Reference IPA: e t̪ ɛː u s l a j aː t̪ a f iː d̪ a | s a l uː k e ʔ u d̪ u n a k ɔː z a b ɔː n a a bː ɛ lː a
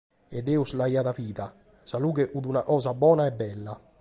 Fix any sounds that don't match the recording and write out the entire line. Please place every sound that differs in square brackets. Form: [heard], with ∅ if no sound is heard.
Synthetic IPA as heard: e [d̪] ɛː u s l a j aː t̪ a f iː [t̪] a | s a l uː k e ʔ u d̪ u n a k ɔː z a b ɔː n a [ɛ] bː ɛ lː a